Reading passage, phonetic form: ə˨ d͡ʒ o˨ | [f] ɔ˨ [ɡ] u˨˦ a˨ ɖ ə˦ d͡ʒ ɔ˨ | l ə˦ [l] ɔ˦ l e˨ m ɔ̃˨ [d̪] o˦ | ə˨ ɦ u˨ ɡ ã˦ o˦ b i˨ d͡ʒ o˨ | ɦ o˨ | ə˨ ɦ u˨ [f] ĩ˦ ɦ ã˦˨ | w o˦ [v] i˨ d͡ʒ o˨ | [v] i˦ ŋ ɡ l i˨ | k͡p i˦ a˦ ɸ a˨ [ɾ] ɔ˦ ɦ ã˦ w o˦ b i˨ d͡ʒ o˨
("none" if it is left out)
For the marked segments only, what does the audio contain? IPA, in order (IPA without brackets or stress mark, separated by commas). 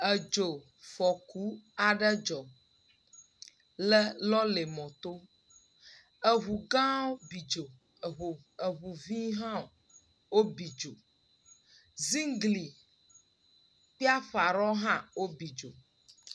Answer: f, k, l, t̪, v, b, z, ɾ